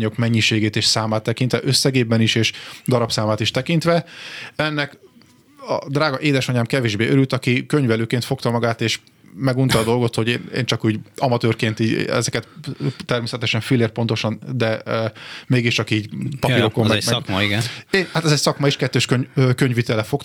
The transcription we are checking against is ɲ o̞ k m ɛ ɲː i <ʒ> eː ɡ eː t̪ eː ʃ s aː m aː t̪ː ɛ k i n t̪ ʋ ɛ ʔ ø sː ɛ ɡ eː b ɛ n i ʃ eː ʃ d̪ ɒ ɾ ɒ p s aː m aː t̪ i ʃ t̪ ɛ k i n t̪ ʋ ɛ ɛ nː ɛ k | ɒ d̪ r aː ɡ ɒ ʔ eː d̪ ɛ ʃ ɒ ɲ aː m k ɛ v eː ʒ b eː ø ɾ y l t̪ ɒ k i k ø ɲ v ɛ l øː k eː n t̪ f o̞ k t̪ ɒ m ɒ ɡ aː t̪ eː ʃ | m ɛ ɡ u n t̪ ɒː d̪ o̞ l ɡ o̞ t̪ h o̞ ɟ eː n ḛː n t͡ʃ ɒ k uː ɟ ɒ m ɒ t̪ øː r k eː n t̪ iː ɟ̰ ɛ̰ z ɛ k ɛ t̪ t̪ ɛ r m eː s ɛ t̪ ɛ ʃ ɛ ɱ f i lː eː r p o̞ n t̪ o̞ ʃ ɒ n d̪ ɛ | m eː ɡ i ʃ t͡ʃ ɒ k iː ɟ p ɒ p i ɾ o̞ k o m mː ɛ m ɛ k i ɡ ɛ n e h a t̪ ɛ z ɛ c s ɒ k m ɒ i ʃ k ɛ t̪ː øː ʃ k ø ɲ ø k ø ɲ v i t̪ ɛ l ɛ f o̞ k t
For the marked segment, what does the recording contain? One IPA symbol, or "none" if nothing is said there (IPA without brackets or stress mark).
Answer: ʃ